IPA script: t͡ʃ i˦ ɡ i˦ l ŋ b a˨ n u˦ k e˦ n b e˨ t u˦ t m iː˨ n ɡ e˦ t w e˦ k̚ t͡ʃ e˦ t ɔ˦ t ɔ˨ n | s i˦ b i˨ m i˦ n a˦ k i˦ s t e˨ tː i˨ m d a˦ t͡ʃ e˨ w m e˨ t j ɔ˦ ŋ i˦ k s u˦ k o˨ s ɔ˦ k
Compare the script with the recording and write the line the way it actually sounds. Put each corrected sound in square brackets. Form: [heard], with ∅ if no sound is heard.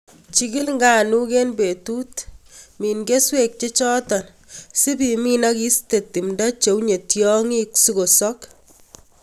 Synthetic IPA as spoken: t͡ʃ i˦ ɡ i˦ l ŋ [ɡ] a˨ n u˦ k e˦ n b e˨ t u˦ t m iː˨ n ɡ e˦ [s] w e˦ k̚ t͡ʃ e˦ [t͡ʃ] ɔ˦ t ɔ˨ n | s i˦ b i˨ m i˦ n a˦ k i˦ s t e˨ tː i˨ m d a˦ t͡ʃ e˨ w [ɲ] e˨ t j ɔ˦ ŋ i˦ k s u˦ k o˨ s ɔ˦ k